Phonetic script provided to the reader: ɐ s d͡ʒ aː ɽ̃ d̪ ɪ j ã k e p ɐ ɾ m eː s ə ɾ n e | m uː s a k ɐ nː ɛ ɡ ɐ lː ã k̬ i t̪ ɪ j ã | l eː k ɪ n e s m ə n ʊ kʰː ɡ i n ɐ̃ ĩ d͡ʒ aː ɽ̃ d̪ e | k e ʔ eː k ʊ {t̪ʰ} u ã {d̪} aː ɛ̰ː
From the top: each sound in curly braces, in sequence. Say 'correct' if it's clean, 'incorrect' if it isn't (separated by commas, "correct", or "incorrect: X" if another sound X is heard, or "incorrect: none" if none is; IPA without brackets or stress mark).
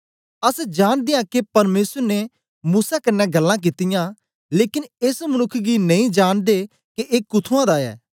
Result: correct, correct